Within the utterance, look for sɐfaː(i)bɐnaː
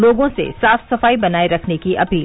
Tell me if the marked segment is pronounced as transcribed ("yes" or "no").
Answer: yes